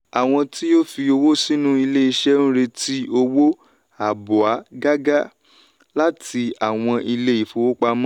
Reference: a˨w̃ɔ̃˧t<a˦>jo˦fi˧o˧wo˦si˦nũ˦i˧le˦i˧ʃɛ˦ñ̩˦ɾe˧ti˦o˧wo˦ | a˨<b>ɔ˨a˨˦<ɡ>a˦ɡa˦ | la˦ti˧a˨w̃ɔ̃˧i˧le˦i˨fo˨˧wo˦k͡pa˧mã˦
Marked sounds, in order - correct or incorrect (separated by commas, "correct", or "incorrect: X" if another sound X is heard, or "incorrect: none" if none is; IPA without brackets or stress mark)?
incorrect: i˦, correct, correct